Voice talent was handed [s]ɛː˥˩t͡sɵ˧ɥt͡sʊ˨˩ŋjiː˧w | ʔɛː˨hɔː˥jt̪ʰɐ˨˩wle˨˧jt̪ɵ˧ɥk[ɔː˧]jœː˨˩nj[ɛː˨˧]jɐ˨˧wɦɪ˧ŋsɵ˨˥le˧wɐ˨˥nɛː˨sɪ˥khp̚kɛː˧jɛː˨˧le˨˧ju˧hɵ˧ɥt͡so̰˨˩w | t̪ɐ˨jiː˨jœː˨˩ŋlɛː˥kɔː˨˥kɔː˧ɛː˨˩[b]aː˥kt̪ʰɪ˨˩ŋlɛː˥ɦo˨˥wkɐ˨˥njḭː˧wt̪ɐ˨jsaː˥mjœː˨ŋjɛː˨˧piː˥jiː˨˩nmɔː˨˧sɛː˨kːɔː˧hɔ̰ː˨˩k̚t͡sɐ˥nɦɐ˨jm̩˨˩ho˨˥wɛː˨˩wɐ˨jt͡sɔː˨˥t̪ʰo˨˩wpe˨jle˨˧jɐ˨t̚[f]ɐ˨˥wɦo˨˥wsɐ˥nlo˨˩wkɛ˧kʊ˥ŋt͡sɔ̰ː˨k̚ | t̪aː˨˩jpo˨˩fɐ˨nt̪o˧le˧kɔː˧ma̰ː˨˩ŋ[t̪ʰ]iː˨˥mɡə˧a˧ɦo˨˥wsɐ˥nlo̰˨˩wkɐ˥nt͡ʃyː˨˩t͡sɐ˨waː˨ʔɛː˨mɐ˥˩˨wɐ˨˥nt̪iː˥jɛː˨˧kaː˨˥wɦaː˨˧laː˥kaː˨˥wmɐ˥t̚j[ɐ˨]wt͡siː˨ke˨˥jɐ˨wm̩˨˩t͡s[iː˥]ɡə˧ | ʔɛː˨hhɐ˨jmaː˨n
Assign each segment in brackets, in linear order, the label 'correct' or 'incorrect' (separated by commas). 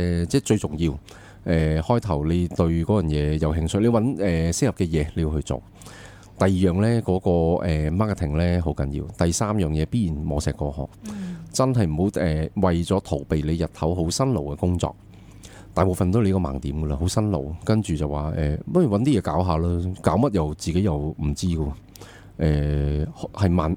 incorrect, incorrect, correct, incorrect, incorrect, incorrect, correct, correct